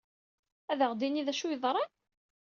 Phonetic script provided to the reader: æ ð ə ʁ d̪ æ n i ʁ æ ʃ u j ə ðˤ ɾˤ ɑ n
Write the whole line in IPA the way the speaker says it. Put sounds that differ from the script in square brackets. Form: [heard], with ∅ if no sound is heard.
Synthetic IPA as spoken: æ ð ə ʁ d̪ [i] n i [ð] æ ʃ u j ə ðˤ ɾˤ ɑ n